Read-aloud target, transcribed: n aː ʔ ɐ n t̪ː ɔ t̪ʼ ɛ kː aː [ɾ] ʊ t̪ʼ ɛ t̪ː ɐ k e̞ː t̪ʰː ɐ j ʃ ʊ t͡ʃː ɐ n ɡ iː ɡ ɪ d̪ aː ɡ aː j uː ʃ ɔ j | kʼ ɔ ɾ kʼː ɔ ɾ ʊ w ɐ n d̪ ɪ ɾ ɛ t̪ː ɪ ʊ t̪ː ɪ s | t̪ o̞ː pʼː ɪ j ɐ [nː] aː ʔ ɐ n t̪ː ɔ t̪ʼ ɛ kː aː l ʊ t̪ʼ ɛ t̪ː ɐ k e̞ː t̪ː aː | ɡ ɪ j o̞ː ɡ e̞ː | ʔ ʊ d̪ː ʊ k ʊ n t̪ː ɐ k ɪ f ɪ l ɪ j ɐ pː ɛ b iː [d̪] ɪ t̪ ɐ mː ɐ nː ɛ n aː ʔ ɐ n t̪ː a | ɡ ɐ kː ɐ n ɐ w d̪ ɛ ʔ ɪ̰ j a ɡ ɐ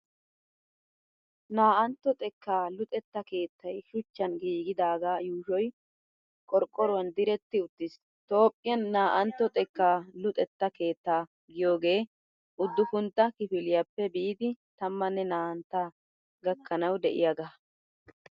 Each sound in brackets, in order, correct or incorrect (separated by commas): incorrect, correct, correct